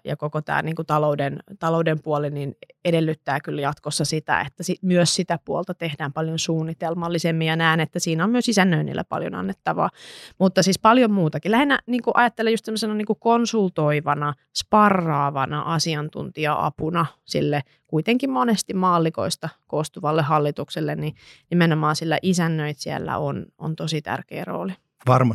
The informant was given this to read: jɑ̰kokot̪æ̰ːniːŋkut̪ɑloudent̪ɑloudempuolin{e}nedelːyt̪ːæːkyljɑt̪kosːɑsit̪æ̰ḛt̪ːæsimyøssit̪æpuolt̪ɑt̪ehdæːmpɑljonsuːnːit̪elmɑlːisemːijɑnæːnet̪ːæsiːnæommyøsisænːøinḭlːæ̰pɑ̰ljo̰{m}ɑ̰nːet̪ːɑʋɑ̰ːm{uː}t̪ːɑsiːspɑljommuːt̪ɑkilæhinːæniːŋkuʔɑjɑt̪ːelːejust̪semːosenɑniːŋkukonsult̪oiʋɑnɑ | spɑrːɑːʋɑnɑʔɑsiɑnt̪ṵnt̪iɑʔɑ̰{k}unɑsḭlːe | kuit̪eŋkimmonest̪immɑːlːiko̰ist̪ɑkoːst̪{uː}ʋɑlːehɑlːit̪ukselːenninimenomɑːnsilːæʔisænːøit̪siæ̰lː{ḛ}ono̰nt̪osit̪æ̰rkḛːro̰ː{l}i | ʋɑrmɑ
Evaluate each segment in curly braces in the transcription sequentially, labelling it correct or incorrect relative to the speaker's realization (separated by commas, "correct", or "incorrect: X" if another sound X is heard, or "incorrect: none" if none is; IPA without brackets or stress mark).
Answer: incorrect: i, incorrect: n, incorrect: u, incorrect: p, incorrect: u, incorrect: æ̰, correct